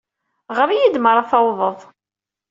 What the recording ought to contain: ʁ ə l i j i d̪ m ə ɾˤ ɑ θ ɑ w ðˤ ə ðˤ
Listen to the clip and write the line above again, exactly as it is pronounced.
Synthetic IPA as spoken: ʁ ə ɾ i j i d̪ m ə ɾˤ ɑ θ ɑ w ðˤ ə ðˤ